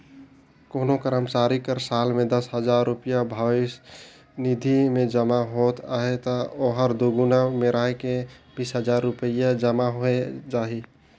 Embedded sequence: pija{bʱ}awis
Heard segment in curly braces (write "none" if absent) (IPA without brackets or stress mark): bʱ